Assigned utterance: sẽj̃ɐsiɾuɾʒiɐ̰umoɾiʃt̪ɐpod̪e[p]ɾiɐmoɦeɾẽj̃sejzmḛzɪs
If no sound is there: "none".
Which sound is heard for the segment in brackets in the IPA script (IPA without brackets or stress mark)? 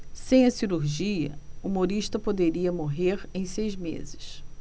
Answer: none